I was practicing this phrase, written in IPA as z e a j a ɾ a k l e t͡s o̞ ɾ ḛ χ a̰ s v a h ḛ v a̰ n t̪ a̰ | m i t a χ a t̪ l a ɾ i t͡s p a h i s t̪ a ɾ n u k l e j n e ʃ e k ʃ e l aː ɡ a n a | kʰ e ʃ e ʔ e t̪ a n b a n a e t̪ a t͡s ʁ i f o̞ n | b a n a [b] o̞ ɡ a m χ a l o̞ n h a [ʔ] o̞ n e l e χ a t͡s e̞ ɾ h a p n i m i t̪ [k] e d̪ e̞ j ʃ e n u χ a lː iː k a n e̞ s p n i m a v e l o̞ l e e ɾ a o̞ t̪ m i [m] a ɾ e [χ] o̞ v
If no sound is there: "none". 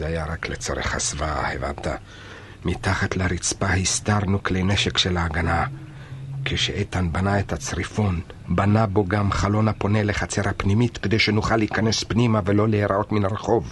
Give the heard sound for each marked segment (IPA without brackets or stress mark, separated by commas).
b, p, k, n, χ